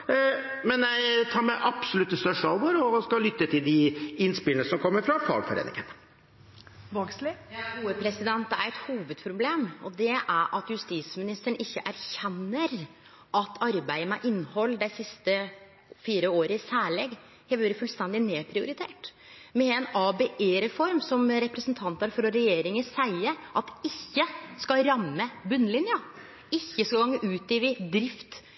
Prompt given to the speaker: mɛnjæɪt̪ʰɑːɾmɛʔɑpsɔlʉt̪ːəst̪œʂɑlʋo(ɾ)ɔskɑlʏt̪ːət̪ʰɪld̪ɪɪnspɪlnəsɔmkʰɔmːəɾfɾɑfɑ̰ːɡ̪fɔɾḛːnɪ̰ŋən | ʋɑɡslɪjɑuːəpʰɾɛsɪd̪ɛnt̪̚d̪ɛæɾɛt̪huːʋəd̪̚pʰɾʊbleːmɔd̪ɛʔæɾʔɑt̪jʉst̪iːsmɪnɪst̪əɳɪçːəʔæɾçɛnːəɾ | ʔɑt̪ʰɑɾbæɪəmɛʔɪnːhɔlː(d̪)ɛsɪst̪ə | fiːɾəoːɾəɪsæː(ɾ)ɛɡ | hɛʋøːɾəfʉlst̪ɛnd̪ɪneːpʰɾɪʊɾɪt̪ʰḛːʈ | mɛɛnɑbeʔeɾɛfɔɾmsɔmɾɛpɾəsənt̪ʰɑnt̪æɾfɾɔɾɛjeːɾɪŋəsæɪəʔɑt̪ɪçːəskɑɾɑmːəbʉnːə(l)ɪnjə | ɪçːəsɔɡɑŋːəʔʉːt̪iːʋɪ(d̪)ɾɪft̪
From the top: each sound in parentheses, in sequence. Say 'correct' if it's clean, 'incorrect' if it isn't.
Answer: correct, correct, incorrect: ɭ, correct, correct

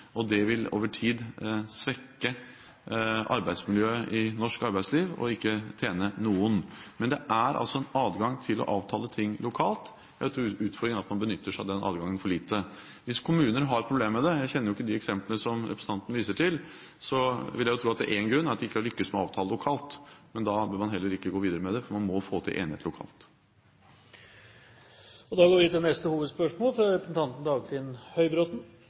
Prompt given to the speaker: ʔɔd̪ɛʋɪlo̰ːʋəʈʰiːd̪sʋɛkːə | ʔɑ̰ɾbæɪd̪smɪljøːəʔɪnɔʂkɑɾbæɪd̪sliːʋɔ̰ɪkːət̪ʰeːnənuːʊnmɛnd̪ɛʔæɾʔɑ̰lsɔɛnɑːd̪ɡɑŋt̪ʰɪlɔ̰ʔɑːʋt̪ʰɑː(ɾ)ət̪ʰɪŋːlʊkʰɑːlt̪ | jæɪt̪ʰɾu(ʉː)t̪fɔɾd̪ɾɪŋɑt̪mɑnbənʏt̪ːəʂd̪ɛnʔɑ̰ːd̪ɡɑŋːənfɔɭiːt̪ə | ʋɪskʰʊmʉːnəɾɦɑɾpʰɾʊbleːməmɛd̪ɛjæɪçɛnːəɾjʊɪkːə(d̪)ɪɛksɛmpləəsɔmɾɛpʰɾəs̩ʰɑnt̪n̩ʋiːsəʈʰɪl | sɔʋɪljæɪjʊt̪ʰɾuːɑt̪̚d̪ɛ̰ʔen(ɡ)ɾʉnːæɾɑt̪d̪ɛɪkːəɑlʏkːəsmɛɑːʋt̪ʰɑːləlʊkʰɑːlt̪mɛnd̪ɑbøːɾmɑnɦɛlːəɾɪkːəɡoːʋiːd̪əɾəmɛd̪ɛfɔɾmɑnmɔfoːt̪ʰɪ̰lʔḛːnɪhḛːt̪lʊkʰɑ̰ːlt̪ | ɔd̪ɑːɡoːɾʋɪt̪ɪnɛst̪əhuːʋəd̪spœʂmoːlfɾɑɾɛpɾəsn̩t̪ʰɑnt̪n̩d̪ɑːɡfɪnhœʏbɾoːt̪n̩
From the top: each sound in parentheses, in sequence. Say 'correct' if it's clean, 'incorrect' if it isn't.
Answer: incorrect: l, correct, correct, correct

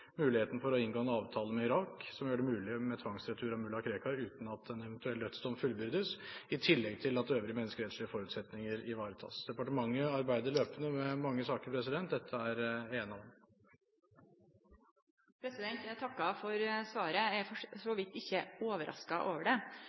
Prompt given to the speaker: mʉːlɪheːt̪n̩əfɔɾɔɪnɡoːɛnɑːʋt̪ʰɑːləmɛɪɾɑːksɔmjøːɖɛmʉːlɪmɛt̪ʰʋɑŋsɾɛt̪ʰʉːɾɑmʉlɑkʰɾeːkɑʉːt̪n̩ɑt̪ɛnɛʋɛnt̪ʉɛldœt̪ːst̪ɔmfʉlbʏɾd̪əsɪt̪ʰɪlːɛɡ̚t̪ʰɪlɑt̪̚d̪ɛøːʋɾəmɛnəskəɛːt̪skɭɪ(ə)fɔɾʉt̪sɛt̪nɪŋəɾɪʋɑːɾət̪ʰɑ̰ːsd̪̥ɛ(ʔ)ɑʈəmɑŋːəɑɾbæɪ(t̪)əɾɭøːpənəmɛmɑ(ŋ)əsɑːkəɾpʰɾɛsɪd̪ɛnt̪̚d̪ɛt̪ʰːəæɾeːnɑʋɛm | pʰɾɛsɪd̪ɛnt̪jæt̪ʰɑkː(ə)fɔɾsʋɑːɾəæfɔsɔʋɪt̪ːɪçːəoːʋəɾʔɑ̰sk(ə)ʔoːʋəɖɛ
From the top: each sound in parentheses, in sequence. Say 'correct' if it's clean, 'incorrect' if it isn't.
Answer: correct, incorrect: p, incorrect: d̪, incorrect: ŋː, incorrect: ɑ, incorrect: ɑ

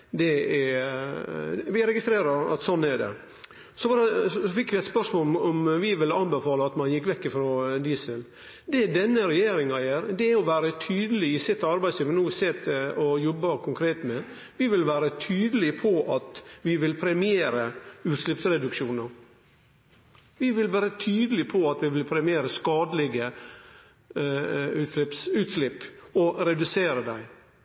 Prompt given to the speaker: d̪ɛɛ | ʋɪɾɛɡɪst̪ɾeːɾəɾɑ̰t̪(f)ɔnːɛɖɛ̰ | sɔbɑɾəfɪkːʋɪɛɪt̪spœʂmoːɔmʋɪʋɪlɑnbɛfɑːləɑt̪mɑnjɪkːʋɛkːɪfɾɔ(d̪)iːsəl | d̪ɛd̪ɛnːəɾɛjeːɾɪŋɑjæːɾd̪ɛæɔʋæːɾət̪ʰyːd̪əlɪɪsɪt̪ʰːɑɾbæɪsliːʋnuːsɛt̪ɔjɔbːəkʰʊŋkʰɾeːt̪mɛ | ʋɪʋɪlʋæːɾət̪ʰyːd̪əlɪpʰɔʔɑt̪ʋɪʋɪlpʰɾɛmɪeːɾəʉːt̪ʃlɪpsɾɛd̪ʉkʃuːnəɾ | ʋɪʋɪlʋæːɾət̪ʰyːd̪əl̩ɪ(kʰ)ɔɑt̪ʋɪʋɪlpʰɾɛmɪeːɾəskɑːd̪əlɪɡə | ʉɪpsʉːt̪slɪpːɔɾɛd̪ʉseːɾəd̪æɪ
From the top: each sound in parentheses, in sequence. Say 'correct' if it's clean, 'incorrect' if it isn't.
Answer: incorrect: s, correct, incorrect: pʰ

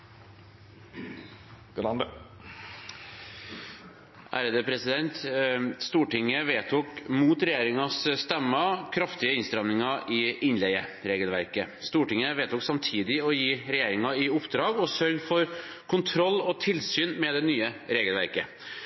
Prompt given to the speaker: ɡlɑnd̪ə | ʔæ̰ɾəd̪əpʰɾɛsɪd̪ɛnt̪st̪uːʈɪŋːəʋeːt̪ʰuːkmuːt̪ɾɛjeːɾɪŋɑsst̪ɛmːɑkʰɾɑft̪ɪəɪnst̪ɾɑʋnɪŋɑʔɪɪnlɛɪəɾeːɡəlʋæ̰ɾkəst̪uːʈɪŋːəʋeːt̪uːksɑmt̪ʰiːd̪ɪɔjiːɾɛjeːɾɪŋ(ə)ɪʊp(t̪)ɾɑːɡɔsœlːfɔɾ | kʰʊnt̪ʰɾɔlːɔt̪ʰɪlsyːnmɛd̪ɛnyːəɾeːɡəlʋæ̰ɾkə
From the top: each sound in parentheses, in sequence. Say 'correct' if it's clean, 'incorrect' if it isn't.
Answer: incorrect: ɑ, incorrect: d̪

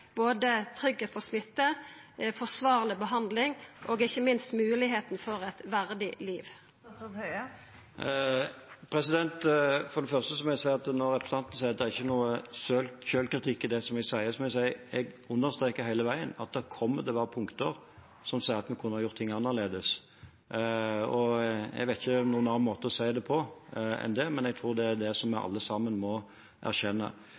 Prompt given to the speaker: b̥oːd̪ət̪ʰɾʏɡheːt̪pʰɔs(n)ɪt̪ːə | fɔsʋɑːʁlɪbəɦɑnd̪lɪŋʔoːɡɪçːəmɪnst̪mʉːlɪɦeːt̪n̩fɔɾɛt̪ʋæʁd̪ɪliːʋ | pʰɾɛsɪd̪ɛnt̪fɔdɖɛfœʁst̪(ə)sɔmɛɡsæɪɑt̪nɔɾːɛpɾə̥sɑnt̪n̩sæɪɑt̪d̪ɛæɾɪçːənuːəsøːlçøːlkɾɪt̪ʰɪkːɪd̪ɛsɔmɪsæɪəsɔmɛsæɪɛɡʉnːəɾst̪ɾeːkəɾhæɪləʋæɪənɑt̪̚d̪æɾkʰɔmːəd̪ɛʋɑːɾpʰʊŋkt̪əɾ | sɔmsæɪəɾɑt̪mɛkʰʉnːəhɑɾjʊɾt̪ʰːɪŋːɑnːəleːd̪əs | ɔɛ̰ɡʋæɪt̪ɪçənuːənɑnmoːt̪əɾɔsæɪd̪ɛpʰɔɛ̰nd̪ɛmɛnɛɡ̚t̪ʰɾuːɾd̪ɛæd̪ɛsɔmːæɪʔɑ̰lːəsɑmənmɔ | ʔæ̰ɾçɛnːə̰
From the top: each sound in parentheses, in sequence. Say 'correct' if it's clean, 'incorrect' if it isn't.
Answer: incorrect: m, correct

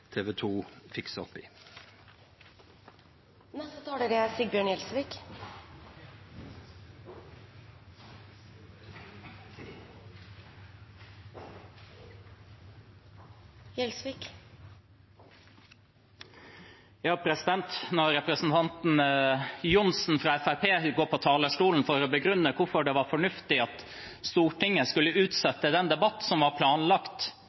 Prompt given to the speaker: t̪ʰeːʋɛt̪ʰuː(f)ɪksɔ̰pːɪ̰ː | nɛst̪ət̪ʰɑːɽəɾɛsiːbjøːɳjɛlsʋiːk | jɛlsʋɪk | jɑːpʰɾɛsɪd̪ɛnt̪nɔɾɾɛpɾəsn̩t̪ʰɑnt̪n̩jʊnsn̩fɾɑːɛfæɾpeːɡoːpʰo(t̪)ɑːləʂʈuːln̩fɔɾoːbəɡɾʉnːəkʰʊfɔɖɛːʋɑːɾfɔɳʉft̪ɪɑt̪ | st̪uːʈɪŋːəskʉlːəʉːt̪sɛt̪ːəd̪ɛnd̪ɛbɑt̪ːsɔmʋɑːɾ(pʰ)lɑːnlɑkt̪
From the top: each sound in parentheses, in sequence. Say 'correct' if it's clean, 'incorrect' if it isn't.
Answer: correct, incorrect: t̪ʰ, correct

